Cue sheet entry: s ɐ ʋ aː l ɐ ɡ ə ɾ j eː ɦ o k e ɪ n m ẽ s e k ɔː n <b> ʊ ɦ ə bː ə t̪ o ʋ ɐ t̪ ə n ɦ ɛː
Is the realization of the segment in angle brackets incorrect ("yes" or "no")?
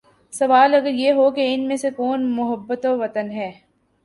yes